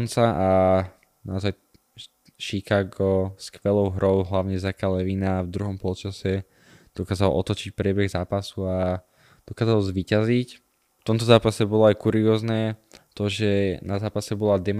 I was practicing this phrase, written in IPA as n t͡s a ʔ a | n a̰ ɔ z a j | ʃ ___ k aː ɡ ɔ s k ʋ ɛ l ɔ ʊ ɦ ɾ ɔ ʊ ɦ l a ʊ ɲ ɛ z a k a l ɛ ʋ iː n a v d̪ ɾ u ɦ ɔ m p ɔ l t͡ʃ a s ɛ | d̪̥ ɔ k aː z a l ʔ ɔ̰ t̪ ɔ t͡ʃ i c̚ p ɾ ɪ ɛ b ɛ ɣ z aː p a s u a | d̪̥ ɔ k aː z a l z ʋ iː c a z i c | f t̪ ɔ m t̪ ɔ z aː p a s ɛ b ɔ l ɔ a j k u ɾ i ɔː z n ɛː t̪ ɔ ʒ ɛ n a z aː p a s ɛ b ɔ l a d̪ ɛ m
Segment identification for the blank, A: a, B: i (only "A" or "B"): B